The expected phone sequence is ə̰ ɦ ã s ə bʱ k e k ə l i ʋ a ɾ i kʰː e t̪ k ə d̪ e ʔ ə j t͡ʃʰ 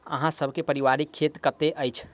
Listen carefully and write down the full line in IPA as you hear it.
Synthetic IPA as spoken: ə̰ ɦ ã s ə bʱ k e p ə ɾ i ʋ a ɾ i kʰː e t̪ k ə t̪ e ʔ ə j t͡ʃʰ